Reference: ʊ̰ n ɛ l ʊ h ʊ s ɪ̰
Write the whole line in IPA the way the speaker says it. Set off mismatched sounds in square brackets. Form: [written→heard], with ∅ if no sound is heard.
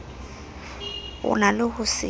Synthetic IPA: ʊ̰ n [ɛ→a] l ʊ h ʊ s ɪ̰